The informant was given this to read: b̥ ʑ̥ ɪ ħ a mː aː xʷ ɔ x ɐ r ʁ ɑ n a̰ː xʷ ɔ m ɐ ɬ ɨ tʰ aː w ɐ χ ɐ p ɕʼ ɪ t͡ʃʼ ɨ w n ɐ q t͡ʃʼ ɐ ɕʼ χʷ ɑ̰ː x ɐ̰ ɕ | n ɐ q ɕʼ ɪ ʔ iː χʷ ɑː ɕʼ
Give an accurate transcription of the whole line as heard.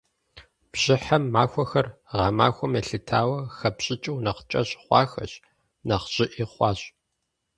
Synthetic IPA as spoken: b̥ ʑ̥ ɪ ħ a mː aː xʷ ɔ x ɐ r ʁ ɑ m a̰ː xʷ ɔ m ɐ ɬ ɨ tʰ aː w ɐ x ɐ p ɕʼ ɪ t͡ʃʼ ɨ w n ɐ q t͡ʃʼ ɐ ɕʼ χʷ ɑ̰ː x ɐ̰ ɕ | n ɐ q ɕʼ ɪ ʔ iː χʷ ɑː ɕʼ